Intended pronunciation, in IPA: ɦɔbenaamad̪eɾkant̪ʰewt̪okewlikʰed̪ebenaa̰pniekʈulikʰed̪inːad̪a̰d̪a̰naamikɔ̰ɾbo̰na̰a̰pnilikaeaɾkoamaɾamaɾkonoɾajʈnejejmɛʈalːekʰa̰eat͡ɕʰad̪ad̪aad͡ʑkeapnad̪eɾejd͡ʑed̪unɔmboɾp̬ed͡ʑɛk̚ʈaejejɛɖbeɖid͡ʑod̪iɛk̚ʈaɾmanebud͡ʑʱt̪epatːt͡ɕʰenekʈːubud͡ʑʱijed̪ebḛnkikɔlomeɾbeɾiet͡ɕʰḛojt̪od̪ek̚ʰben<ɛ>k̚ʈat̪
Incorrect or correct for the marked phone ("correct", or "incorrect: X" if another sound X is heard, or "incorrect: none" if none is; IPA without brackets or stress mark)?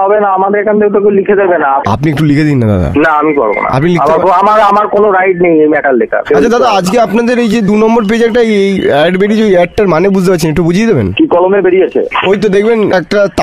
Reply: correct